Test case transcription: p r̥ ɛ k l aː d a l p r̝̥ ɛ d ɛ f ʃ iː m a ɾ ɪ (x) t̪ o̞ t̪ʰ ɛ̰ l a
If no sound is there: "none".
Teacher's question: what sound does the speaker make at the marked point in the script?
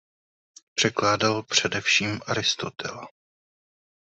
s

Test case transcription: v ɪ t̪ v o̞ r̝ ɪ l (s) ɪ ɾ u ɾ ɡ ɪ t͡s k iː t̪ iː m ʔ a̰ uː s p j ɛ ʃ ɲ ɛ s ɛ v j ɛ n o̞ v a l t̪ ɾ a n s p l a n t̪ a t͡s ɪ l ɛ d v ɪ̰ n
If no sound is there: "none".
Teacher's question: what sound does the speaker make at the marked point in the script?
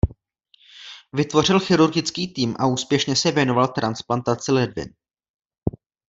x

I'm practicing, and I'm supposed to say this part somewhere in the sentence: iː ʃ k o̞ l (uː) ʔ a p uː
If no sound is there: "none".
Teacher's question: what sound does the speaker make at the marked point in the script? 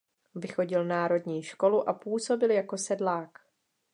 u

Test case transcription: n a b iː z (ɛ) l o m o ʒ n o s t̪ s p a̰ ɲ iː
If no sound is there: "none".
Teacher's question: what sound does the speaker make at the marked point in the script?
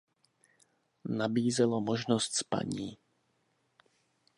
ɛ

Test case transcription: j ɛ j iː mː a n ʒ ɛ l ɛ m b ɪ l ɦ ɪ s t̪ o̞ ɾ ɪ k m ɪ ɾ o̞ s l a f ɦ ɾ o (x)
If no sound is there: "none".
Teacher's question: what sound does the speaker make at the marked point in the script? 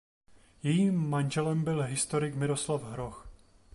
x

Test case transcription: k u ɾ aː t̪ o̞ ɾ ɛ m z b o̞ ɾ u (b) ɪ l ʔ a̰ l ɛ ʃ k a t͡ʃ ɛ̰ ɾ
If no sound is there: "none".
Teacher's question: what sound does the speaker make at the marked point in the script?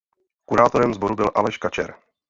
b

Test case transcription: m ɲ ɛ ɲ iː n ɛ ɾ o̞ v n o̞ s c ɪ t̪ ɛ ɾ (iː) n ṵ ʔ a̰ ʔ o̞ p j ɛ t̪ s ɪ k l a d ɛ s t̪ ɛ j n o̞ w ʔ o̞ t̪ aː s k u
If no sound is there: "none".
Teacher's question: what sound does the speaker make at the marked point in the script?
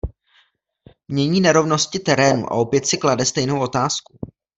ɛː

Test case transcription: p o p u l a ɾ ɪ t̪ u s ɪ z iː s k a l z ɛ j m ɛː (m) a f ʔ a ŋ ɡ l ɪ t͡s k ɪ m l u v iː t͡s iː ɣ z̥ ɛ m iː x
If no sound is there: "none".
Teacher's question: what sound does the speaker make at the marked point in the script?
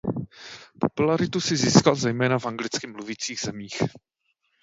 n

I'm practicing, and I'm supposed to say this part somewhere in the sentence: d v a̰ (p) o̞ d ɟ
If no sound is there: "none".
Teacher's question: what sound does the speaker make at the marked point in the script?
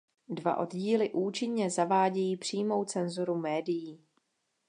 ʔ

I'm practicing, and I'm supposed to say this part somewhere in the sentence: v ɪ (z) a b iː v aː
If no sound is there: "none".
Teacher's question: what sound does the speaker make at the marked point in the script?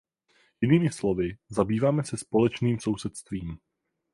z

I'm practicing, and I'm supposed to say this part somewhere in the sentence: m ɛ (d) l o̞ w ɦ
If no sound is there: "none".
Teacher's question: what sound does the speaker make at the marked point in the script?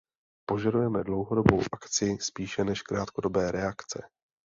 d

